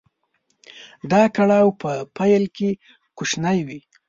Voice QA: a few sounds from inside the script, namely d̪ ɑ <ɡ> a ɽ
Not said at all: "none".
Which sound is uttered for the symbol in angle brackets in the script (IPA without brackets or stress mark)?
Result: k